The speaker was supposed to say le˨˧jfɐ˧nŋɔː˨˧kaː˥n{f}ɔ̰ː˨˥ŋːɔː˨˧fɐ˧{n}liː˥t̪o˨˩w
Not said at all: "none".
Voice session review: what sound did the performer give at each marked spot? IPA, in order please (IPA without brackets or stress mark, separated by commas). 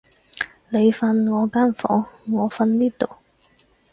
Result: f, n